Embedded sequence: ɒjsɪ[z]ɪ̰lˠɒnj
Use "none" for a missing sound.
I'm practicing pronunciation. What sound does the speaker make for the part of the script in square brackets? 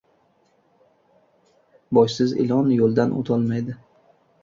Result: z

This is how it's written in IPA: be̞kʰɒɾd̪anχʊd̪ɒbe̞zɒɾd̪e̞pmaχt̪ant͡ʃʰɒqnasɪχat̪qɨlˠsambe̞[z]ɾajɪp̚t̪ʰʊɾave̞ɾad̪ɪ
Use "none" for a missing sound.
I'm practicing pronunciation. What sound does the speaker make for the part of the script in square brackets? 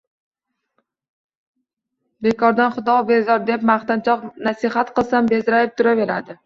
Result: z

